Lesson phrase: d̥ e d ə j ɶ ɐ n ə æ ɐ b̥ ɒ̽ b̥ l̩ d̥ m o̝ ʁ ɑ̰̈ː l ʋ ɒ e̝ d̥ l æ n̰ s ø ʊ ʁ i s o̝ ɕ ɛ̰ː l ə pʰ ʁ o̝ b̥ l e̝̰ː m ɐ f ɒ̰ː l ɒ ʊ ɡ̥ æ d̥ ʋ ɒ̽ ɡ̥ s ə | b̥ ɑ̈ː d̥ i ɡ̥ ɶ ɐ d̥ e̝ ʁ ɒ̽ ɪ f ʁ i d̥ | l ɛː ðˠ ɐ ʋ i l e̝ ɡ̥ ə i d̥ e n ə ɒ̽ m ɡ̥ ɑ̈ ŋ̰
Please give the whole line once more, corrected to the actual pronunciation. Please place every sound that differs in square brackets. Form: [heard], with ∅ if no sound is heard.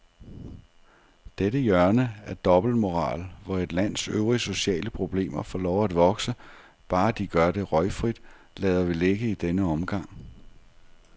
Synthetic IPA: d̥ e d ə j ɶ ɐ n ə æ ɐ [d̥] ɒ̽ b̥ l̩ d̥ m o̝ ʁ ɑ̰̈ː l ʋ ɒ e̝ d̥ l æ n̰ s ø ʊ ʁ i s o̝ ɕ ɛ̰ː l ə pʰ ʁ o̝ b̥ l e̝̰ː m ɐ f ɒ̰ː l ɒ ʊ [∅] æ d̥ ʋ ɒ̽ ɡ̥ s ə | b̥ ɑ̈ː d̥ i ɡ̥ ɶ ɐ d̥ e̝ ʁ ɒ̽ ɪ f ʁ i d̥ | l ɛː ðˠ ɐ ʋ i l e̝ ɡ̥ ə i d̥ e n ə ɒ̽ m ɡ̥ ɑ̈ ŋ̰